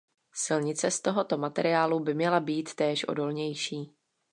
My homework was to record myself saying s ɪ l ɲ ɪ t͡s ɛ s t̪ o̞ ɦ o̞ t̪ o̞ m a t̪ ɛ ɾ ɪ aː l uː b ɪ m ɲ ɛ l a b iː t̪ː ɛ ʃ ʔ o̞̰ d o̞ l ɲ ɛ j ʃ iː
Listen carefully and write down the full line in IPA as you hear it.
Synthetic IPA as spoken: s ɪ l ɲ ɪ t͡s ɛ s t̪ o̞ ɦ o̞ t̪ o̞ m a t̪ ɛ ɾ ɪ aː l u b ɪ m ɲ ɛ l a b iː t̪ː ɛː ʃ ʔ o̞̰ d o̞ l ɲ ɛ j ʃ iː